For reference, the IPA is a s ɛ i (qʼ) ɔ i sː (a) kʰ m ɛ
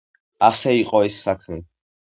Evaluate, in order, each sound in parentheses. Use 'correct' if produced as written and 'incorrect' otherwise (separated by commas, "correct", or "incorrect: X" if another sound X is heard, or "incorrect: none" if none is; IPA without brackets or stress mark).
correct, correct